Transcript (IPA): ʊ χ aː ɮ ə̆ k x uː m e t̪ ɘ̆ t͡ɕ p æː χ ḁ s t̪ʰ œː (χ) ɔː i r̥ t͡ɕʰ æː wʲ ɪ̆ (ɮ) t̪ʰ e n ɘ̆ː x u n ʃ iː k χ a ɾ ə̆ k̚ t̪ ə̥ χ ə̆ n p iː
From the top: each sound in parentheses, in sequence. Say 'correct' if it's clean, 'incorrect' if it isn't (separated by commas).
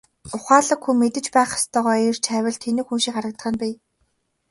incorrect, correct